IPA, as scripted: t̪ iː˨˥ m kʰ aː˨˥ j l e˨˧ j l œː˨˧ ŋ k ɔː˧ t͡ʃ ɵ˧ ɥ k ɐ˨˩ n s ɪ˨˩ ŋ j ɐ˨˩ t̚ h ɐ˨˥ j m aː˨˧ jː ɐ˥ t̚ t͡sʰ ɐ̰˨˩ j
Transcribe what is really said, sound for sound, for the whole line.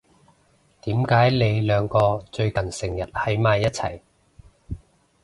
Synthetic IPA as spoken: t̪ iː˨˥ m k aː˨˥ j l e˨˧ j l œː˨˧ ŋ k ɔː˧ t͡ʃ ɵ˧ ɥ k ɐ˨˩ n s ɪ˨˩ ŋ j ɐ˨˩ t̚ h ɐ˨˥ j m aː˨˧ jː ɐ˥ t̚ t͡sʰ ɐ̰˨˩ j